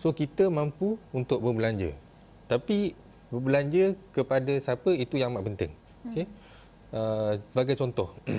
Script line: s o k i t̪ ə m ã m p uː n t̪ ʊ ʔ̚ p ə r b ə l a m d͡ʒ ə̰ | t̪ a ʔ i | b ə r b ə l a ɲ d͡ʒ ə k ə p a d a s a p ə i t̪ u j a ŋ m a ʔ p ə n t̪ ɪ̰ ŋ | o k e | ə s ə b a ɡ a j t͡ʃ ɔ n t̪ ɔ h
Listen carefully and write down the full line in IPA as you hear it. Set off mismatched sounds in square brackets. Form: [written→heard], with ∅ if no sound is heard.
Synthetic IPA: s o k i t̪ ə m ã m p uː n t̪ ʊ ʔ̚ [p→b] ə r b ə l a [m→ɲ] d͡ʒ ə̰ | t̪ a [ʔ→p] i | b ə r b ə l a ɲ d͡ʒ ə k ə p a d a s a p ə i t̪ u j a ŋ m a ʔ p ə n t̪ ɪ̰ ŋ | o k e | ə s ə b a ɡ a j t͡ʃ ɔ n t̪ ɔ h